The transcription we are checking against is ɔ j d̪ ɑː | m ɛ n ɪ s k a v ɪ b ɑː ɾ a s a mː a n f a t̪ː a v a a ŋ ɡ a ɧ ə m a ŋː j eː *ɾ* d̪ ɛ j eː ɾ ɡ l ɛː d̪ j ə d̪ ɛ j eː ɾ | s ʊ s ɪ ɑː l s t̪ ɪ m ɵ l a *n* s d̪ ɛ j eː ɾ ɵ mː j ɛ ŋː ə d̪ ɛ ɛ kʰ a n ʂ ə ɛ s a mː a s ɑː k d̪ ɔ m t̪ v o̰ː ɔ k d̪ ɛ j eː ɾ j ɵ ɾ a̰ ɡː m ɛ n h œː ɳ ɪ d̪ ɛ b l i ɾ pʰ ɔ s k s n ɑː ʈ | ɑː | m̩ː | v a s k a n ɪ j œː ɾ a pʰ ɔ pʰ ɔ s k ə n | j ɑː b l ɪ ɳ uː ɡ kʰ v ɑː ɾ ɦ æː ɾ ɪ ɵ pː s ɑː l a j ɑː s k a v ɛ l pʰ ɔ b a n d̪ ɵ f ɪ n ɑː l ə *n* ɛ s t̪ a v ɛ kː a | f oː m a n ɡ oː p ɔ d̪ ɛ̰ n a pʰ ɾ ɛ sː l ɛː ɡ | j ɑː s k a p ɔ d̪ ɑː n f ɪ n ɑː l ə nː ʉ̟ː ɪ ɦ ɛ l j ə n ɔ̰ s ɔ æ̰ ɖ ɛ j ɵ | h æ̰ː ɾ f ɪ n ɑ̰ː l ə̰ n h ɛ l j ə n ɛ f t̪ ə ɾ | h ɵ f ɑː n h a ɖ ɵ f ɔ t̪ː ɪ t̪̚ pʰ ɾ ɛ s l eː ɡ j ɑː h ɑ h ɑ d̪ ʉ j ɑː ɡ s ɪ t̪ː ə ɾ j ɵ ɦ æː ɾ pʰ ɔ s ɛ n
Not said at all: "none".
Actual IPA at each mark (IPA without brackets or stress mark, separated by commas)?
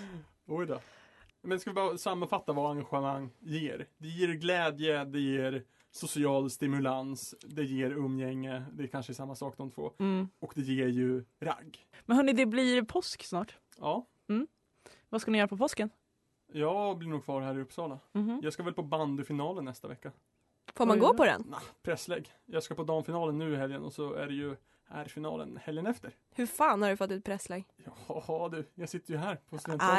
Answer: ɾ, n, nː